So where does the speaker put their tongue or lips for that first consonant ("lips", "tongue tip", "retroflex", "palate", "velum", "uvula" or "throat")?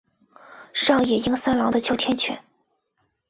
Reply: retroflex